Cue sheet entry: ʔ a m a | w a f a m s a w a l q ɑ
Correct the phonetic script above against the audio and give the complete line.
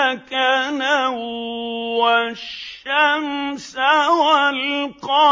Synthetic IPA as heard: k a n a | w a ʃ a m s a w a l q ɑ